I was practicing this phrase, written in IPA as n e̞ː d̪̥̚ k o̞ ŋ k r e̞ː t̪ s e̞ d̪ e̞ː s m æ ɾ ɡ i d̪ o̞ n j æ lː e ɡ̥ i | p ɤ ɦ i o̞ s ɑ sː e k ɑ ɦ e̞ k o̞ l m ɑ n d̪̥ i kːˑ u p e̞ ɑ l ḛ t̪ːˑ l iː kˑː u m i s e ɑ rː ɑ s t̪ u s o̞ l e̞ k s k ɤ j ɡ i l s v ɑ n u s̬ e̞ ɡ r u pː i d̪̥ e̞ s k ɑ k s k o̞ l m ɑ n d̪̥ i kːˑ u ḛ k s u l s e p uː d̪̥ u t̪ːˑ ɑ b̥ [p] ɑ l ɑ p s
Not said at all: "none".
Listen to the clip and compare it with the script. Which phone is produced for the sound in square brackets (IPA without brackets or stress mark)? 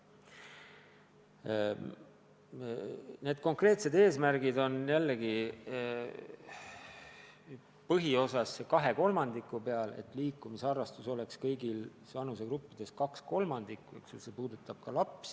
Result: k